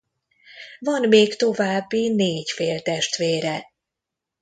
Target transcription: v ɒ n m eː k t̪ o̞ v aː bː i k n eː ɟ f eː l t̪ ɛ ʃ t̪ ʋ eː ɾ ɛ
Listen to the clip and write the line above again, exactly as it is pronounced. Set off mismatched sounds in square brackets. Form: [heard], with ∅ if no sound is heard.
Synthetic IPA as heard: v ɒ n m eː k t̪ o̞ v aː bː i [∅] n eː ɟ f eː l t̪ ɛ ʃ t̪ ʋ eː ɾ ɛ